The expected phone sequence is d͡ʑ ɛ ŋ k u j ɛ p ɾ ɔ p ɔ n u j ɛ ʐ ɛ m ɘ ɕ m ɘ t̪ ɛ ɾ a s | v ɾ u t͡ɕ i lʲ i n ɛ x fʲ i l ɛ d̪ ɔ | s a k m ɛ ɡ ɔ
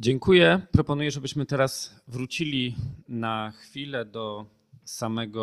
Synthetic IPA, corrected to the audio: d͡ʑ ɛ ŋ k u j ɛ p ɾ ɔ p ɔ n u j ɛ ʐ ɛ b ɘ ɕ m ɘ t̪ ɛ ɾ a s | v ɾ u t͡ɕ i lʲ i n a x fʲ i l ɛ d̪ ɔ | s a m ɛ ɡ ɔ